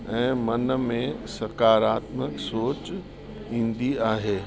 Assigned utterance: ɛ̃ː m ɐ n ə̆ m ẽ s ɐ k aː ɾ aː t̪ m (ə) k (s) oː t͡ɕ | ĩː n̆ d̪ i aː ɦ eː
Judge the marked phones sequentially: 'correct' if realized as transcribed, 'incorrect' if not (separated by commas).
correct, correct